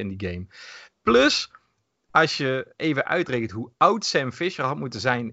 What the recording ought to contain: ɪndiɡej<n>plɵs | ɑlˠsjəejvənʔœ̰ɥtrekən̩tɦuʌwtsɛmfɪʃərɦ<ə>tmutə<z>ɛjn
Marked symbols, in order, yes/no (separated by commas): no, no, yes